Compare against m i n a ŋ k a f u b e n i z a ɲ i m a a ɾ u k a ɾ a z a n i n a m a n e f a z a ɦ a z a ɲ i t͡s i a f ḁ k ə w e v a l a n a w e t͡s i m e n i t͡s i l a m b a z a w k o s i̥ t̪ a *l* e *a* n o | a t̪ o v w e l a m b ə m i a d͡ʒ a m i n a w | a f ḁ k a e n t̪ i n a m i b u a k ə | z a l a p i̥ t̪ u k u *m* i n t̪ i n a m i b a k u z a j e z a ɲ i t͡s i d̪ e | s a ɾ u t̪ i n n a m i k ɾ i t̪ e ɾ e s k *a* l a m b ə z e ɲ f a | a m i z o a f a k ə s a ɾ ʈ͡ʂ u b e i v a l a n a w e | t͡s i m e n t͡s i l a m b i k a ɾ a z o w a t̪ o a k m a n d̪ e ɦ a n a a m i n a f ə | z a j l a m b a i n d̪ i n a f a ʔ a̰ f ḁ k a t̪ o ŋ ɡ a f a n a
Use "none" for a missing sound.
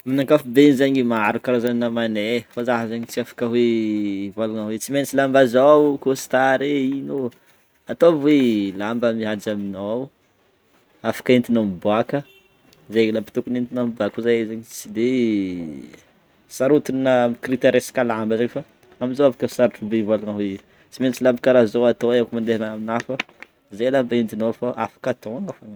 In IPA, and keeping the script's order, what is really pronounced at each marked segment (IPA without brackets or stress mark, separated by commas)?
ɾ, i, n, a